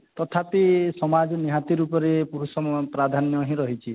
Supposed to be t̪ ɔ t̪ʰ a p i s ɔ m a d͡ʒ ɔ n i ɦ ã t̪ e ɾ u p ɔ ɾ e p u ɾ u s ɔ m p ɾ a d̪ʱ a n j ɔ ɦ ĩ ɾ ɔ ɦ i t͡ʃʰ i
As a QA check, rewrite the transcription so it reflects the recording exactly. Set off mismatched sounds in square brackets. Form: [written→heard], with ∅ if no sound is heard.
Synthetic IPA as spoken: t̪ ɔ t̪ʰ a p i s ɔ m a d͡ʒ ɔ n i ɦ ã t̪ [e→i] ɾ u p ɔ ɾ e p u ɾ u s ɔ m p ɾ a d̪ʱ a n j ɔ ɦ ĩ ɾ ɔ ɦ i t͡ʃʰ i